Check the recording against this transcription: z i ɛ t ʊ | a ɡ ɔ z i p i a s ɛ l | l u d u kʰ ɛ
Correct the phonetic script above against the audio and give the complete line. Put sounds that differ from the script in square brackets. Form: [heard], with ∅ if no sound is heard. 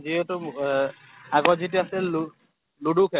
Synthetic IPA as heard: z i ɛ t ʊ | a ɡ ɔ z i [t] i a s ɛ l | l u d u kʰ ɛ